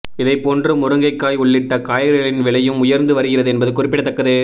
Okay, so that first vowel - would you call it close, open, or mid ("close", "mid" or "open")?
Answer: close